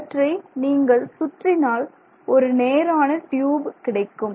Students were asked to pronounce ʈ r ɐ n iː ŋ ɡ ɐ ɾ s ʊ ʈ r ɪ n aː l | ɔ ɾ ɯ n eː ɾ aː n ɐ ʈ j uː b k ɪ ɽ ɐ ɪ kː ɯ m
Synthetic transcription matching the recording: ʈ r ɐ n iː ŋ ɡ ɐ ɭ s ʊ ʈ r ɪ n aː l | ɔ ɾ ɯ n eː ɾ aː n ɐ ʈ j uː b k ɪ ɽ ɐ ɪ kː ɯ m